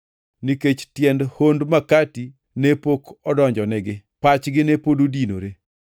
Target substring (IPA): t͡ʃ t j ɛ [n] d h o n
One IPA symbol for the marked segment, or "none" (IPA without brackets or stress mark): n